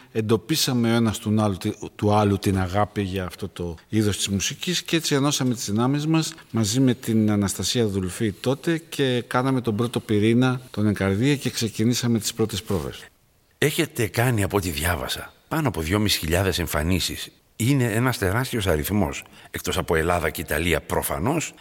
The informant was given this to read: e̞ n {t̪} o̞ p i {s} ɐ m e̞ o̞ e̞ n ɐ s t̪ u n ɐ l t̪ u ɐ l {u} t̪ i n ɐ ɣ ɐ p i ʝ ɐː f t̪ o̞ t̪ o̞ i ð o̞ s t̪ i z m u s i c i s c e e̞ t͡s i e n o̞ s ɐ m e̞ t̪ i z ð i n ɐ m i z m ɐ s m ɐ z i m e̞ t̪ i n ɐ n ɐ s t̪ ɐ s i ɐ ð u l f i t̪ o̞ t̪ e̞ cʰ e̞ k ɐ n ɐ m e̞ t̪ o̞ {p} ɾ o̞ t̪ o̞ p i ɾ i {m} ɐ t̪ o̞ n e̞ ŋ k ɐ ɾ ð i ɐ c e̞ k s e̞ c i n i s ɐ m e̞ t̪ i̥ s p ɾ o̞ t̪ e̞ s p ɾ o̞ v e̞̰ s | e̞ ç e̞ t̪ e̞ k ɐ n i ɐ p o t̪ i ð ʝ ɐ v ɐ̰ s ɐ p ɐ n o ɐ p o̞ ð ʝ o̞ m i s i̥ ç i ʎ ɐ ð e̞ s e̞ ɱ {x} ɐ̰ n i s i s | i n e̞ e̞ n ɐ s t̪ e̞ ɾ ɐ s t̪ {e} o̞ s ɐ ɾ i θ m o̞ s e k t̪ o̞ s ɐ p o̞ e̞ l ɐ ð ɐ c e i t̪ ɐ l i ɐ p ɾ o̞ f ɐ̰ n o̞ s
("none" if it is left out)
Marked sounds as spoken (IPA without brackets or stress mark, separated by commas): d̪, s, u, b, n, f, i